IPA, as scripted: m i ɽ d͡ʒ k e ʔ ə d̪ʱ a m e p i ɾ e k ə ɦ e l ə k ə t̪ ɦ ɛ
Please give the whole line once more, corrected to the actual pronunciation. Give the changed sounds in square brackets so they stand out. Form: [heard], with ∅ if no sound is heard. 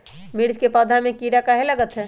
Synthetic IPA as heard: m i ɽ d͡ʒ k e [p] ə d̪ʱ a m e [k] i ɾ [a] k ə ɦ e l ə [ɡ] ə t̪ ɦ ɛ